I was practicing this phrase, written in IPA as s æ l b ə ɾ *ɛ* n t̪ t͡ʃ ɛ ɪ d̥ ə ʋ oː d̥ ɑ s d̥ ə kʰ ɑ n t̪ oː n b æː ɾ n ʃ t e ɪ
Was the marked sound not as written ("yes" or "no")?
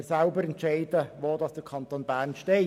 no